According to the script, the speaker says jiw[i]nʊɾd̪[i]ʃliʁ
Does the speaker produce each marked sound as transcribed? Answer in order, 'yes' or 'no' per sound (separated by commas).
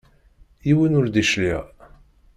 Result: yes, yes